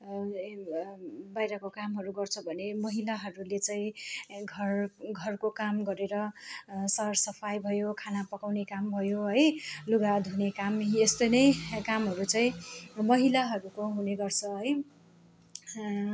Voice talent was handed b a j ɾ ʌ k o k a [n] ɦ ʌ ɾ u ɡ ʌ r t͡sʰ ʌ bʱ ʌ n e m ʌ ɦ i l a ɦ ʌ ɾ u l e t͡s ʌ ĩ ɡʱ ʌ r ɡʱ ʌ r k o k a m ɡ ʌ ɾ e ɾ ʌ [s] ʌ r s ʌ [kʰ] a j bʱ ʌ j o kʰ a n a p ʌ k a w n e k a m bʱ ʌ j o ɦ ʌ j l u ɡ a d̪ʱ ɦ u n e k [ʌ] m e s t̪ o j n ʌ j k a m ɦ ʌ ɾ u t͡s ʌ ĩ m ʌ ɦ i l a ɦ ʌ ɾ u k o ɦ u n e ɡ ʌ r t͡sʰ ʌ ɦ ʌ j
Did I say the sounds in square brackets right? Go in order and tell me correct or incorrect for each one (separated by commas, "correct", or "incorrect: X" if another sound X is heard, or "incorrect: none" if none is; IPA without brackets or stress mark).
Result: incorrect: m, correct, incorrect: pʰ, incorrect: a